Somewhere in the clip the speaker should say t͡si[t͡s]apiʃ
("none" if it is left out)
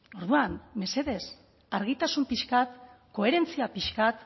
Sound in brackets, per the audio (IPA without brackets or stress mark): none